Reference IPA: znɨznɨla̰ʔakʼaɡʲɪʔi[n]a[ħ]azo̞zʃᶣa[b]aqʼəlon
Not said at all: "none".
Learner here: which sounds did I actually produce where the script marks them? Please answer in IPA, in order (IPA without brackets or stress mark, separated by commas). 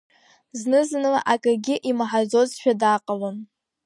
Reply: m, ħ, d